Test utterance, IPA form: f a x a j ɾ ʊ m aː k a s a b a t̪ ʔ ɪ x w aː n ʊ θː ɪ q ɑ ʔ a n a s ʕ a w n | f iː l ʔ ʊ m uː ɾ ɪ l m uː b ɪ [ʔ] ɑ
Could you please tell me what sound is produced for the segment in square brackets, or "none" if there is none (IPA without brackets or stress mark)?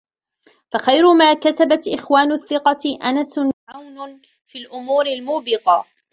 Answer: q